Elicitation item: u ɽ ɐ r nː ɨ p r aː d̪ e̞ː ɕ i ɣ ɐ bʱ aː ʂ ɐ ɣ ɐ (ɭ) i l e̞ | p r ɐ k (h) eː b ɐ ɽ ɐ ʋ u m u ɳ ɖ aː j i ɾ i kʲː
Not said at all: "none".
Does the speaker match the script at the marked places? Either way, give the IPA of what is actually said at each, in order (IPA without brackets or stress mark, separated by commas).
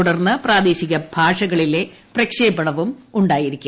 ɭ, ʂ